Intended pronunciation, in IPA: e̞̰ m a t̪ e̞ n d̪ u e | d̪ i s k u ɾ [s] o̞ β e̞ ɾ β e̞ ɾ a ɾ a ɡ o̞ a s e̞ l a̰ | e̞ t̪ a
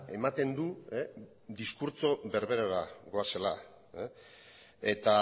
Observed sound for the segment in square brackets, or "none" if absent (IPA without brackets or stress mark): t͡s